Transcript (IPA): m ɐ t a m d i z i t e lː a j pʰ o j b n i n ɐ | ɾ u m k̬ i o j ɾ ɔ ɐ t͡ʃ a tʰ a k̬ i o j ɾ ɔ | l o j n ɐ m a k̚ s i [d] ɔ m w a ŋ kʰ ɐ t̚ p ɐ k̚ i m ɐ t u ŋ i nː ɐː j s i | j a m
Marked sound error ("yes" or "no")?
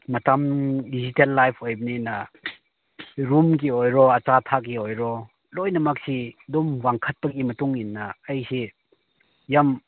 no